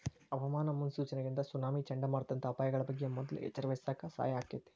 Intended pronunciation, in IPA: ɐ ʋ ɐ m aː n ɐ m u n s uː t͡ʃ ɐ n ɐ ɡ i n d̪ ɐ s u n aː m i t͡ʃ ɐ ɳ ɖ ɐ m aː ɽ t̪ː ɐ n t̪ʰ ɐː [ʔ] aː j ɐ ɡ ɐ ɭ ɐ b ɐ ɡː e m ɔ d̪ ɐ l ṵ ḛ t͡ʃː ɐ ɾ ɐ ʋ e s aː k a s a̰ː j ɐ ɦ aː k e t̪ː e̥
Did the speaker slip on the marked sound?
yes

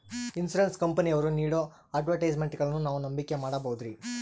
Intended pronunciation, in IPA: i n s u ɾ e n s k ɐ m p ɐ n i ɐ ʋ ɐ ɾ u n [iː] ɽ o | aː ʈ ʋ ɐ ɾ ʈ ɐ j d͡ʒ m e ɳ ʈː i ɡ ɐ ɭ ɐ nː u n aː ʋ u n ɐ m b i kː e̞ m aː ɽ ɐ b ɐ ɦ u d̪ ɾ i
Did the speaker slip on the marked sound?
no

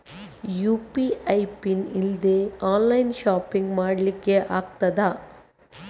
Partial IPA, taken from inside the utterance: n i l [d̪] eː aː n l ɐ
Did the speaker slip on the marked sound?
no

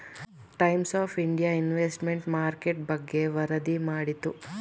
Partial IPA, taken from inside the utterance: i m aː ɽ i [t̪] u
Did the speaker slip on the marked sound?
no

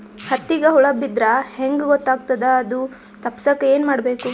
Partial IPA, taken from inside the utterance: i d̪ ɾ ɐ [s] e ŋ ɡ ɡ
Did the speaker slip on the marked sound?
yes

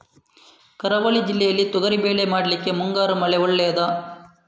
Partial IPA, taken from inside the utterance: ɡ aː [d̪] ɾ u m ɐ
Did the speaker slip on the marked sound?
yes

